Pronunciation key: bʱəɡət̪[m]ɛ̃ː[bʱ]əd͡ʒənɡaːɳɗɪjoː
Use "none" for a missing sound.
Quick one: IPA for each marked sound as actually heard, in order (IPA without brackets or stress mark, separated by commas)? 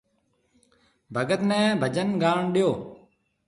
n, bʱ